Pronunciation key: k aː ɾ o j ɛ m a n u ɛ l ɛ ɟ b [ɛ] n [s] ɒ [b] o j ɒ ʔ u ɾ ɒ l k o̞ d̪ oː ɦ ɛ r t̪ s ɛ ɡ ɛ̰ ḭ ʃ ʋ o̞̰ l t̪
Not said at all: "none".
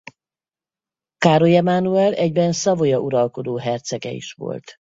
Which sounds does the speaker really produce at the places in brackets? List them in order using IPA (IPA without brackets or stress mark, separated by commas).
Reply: ɛ, s, v